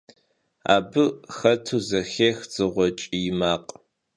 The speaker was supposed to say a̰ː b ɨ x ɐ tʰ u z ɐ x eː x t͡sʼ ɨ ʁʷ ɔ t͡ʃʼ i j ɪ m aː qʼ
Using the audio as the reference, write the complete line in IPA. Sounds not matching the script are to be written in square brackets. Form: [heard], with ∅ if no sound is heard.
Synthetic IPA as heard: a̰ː b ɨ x ɐ tʰ u z ɐ x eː x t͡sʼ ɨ ʁʷ ɔ t͡ʃʼ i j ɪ m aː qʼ